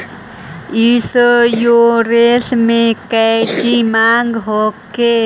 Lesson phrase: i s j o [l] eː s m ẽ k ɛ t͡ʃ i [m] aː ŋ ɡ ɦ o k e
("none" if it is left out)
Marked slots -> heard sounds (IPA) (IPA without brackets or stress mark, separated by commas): ɾ, m